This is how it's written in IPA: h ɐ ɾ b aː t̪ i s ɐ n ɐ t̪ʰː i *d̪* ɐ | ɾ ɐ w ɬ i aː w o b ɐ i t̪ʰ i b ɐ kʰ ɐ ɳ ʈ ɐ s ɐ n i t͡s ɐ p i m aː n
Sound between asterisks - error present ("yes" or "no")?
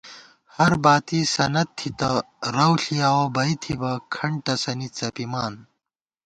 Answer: yes